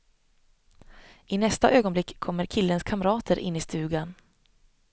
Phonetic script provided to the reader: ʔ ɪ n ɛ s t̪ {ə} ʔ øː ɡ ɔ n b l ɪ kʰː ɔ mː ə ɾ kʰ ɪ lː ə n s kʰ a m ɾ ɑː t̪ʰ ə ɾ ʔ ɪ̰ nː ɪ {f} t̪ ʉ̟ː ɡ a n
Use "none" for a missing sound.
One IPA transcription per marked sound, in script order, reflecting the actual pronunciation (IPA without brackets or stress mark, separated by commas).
a, s